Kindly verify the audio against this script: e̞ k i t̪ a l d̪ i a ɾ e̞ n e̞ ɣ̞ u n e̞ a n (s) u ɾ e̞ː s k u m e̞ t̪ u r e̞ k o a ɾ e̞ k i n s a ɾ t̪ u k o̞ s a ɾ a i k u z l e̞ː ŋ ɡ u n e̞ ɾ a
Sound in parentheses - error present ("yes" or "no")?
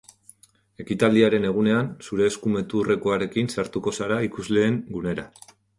no